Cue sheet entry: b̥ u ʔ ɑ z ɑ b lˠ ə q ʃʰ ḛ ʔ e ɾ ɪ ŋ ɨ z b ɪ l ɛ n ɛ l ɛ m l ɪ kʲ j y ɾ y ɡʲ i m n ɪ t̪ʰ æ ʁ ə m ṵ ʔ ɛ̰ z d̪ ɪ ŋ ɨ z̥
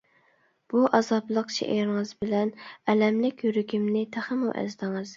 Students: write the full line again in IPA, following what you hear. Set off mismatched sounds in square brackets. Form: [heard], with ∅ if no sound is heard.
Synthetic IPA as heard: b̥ u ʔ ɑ z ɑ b lˠ ə q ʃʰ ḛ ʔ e ɾ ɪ ŋ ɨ z b ɪ l ɛ n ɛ l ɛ m l ɪ kʲ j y ɾ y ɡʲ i m n ɪ t̪ʰ æ [χ] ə m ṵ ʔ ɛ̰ z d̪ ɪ ŋ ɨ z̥